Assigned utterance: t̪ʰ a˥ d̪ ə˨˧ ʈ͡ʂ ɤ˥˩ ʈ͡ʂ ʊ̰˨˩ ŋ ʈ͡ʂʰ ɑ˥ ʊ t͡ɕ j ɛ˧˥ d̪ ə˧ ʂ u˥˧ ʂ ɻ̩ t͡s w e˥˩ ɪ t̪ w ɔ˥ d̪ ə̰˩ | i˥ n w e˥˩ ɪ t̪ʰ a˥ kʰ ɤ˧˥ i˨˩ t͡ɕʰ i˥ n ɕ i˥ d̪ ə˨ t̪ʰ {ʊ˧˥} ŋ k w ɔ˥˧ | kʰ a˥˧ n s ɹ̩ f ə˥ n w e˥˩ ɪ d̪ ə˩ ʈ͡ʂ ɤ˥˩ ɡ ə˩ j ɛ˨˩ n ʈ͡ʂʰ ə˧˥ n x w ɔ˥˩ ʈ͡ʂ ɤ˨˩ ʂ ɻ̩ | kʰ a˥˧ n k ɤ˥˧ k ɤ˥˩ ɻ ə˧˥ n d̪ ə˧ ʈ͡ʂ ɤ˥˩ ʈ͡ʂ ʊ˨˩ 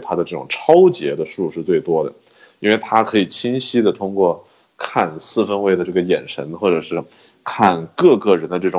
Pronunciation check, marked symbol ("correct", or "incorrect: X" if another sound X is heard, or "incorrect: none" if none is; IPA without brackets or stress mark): incorrect: ʊ˥